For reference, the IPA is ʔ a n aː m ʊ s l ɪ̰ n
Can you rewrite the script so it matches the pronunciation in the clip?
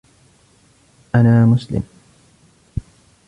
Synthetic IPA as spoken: ʔ a n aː m ʊ s l ɪ̰ m